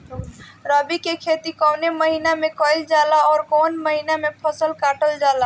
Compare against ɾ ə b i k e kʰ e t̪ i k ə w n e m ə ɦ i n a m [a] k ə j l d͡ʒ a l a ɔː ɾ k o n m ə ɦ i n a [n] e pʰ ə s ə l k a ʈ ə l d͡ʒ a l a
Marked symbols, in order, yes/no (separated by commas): no, no